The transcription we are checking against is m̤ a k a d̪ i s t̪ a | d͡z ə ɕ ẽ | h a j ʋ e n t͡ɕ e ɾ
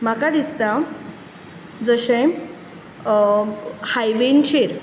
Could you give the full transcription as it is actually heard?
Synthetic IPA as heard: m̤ a k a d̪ i s t̪ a | d͡z ə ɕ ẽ | h a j ʋ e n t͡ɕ e ɾ